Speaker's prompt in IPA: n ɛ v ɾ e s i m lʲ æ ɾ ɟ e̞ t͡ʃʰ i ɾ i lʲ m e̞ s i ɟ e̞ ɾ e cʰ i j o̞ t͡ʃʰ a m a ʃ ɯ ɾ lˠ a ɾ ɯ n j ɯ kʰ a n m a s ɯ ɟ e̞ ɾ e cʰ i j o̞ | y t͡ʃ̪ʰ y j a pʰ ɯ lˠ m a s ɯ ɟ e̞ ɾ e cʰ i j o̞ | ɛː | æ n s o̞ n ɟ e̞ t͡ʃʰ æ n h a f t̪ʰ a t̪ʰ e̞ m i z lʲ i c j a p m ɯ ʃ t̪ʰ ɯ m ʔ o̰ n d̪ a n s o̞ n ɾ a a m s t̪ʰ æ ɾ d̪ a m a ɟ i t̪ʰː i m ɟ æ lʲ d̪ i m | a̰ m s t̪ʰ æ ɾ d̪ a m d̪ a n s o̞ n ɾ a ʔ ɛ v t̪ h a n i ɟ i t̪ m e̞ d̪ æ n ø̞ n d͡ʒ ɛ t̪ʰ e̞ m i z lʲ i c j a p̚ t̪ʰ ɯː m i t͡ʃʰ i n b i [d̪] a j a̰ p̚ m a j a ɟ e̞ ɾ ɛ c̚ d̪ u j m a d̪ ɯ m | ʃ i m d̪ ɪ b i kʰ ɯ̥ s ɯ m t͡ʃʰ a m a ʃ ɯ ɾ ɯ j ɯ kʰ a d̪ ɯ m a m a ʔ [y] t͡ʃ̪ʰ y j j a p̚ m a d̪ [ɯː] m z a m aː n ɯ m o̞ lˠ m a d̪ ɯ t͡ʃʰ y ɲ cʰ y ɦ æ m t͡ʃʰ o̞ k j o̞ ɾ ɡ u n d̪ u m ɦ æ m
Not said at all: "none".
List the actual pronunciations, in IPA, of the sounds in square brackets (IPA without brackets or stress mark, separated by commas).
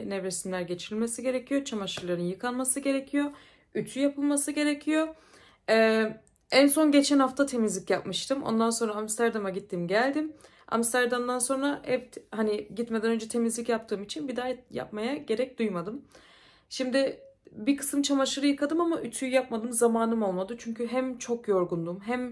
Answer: d̪, y, ɯ